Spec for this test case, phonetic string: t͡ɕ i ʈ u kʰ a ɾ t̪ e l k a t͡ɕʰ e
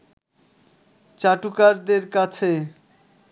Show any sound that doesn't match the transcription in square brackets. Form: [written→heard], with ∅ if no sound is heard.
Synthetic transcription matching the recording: t͡ɕ [i→a] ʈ u [kʰ→k] a ɾ [t̪→d̪] e [l→ɾ] k a t͡ɕʰ e